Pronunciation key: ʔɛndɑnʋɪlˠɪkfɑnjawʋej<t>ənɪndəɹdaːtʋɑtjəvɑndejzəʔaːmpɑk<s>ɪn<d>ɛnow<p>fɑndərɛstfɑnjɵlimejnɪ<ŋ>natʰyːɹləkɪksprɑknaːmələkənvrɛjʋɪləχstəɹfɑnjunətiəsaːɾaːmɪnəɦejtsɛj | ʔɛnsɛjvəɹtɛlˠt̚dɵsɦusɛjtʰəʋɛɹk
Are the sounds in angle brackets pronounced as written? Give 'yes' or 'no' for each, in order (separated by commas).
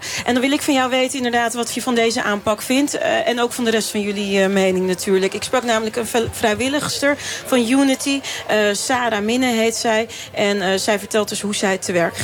yes, no, no, no, yes